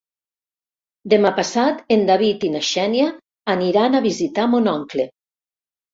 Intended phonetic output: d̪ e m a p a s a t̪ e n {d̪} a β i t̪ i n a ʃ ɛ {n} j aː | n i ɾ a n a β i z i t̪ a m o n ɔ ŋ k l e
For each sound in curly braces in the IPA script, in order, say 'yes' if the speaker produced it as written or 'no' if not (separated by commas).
yes, yes